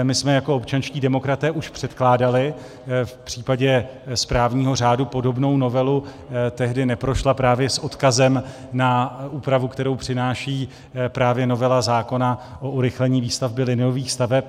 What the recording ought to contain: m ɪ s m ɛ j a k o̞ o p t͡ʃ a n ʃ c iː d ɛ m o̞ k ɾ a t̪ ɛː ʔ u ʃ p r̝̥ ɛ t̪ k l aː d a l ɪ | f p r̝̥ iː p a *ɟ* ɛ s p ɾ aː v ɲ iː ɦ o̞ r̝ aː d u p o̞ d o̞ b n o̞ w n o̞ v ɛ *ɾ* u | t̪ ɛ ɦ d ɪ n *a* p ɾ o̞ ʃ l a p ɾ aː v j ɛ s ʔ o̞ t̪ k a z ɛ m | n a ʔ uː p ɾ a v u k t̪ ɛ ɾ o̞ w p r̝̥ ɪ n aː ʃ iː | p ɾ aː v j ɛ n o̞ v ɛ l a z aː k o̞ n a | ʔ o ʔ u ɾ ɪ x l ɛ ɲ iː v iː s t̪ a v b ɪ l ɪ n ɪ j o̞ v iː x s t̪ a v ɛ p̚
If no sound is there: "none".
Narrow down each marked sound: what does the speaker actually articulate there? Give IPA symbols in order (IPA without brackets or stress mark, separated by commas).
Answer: ɟ, l, ɛ